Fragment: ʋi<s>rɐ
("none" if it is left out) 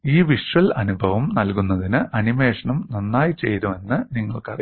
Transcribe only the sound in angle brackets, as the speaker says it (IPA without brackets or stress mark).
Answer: ʂ